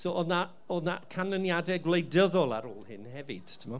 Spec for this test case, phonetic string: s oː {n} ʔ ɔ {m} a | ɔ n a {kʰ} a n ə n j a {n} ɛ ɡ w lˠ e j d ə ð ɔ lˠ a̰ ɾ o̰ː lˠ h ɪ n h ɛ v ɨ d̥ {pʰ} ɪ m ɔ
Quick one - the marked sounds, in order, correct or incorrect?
incorrect, incorrect, correct, incorrect, incorrect

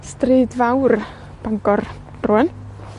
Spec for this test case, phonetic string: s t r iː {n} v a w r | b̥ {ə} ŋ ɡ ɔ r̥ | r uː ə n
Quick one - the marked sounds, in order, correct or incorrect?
incorrect, incorrect

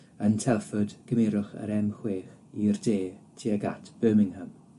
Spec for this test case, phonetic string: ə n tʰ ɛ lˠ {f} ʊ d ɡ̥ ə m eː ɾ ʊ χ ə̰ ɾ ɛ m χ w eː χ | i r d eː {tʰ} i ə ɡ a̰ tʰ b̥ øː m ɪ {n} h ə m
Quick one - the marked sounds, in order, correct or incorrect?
correct, correct, incorrect

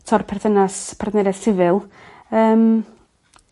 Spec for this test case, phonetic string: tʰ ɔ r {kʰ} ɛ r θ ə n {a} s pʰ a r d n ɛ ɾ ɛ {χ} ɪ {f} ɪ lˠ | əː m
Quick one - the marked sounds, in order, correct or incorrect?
incorrect, correct, incorrect, incorrect

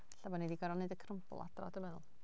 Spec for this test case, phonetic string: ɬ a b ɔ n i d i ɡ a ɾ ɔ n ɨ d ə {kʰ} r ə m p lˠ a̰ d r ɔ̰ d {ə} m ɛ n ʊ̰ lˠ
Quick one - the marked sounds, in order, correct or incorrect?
correct, correct

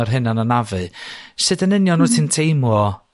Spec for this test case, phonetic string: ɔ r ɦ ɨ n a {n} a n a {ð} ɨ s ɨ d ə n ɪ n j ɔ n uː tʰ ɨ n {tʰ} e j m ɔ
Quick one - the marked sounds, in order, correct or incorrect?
correct, incorrect, correct

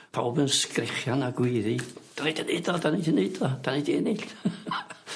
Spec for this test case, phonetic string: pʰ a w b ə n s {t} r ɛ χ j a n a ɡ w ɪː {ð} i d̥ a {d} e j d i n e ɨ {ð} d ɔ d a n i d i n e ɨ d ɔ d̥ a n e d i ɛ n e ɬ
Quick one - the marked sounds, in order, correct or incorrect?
incorrect, correct, incorrect, incorrect

